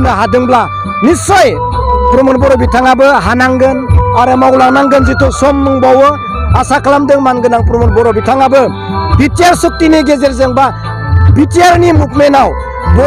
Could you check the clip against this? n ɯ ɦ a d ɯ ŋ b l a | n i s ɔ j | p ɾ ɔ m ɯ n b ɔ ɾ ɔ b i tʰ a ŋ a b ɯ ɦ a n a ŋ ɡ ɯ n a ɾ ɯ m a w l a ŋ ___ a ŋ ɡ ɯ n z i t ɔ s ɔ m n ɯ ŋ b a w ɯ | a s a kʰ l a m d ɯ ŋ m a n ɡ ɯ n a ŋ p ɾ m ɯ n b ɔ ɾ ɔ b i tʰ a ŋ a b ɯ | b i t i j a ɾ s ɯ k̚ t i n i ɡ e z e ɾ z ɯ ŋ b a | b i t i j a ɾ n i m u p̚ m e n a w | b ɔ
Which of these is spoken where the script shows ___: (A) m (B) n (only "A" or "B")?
B